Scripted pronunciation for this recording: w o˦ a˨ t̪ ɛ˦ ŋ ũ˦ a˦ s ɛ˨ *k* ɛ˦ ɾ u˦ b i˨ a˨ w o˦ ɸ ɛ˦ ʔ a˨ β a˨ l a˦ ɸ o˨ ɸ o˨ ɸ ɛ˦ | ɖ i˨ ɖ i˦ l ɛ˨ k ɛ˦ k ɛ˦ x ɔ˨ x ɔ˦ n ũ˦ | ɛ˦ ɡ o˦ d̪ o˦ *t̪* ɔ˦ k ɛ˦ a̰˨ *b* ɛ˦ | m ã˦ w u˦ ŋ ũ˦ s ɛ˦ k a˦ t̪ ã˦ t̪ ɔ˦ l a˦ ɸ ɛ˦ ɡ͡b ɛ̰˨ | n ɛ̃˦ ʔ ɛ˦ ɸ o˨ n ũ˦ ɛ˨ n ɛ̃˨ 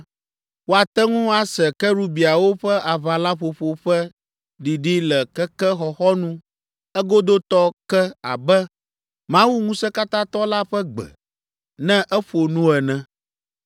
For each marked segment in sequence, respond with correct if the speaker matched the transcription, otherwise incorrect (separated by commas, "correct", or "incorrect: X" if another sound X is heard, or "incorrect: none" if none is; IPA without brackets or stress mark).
correct, correct, correct